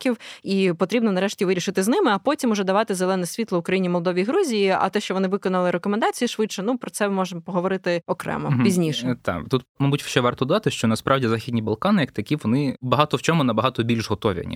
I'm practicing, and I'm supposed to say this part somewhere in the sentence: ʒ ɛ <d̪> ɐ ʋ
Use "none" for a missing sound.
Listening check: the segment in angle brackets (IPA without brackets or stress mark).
d̪